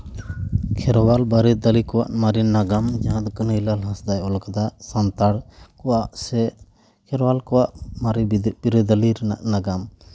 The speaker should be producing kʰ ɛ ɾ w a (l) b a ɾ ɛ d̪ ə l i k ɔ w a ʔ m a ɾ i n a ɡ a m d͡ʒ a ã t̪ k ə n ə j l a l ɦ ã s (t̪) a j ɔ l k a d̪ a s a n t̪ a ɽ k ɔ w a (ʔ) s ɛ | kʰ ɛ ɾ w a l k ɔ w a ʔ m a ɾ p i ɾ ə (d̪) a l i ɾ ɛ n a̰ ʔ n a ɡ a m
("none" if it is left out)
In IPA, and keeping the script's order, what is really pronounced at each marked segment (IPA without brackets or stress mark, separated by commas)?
l, d̪, ʔ, d̪